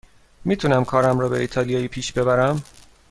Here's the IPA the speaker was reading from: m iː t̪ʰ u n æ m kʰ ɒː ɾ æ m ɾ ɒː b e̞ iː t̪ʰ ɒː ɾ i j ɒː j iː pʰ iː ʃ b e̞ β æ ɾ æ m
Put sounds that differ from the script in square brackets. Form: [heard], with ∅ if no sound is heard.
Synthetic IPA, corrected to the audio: m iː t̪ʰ u n æ m kʰ ɒː ɾ æ m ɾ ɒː b e̞ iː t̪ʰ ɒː [l] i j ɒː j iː pʰ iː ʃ b e̞ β æ ɾ æ m